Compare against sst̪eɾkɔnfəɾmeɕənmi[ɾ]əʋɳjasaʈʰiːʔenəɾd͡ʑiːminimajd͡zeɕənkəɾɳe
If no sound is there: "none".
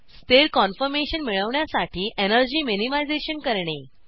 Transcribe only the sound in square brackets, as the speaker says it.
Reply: ɭ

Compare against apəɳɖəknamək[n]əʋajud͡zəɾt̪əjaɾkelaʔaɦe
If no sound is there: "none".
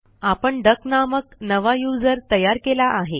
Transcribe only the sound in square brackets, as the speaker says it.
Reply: n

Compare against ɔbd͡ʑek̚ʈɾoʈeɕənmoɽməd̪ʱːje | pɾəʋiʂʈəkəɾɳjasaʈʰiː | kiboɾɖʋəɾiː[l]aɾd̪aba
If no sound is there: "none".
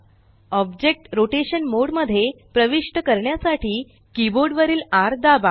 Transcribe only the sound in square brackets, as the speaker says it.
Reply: l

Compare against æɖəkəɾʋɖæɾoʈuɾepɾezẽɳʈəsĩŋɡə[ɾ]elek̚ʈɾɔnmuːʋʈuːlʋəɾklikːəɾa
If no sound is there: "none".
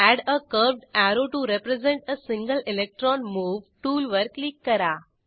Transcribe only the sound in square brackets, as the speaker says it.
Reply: l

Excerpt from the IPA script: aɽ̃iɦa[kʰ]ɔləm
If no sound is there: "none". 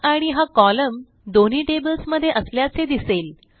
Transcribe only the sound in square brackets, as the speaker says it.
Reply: k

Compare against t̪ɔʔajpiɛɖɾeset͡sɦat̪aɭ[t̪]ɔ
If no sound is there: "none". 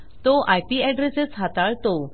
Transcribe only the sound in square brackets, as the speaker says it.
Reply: t̪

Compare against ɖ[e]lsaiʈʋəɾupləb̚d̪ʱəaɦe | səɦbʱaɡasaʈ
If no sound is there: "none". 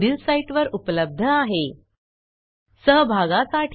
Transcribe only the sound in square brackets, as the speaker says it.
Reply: i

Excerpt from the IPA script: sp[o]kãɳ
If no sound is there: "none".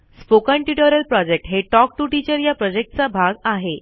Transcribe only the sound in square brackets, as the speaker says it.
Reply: o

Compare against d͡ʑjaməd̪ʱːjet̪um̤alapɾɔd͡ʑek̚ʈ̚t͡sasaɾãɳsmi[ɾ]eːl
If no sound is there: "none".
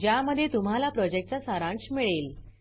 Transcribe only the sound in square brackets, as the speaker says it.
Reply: ɭ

